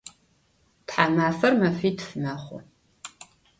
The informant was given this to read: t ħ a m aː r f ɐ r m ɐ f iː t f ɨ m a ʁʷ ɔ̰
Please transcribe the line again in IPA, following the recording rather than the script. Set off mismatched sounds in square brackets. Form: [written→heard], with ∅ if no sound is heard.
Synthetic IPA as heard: t ħ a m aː [r→∅] f ɐ r m ɐ f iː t f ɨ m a [ʁʷ→χʷ] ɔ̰